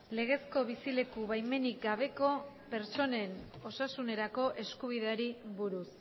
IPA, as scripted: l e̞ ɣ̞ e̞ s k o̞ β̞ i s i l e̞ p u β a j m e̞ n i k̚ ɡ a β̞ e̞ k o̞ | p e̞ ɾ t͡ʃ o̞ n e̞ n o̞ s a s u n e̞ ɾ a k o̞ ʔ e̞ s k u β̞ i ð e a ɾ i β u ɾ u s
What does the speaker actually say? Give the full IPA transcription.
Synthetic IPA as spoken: l e̞ ɣ̞ e̞ s k o̞ β̞ i s i l e̞ k u β a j m e̞ n i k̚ ɡ a β̞ e̞ k o̞ | p e̞ ɾ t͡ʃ o̞ n e̞ n o̞ s a s u n e̞ ɾ a k o̞ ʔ e̞ s k u β̞ i ð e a ɾ i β u ɾ u s